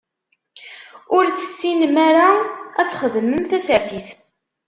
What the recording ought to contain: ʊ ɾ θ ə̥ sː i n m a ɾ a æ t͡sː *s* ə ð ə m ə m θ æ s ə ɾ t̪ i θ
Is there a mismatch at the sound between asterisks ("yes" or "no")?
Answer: yes